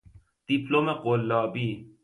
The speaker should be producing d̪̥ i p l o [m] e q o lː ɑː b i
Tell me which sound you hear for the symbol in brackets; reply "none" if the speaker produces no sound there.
m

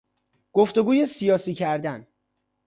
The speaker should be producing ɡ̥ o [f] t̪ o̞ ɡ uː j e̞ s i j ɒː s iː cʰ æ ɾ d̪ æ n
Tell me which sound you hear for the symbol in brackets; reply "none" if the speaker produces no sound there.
f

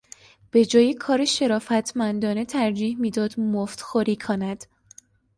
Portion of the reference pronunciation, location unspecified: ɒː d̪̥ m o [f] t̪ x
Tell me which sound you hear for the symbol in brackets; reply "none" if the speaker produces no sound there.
f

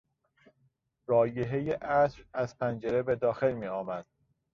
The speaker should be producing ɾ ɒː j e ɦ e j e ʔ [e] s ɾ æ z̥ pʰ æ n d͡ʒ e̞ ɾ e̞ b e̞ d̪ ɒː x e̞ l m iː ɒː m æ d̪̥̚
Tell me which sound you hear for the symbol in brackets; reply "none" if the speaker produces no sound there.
æ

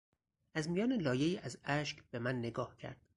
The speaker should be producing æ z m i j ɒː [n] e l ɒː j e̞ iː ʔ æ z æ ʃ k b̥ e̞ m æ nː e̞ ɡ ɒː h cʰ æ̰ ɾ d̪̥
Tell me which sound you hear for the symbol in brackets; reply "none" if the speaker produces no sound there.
n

